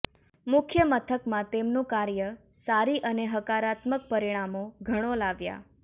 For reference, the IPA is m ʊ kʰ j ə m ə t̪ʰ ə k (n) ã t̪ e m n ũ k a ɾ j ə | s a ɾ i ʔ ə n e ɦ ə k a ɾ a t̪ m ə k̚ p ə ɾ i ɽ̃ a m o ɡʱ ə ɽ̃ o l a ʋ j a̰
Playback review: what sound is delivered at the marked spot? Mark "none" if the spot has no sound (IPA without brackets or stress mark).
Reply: m